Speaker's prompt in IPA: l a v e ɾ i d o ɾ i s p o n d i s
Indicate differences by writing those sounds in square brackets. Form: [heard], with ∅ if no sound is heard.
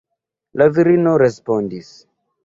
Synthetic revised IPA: l a v [i] ɾ i [n] o ɾ [e] s p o n d i s